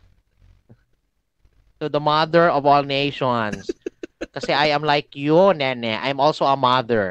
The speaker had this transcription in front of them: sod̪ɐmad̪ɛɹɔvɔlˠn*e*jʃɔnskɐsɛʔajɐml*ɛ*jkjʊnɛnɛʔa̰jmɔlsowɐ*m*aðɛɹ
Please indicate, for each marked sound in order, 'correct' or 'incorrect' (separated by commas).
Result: correct, incorrect, correct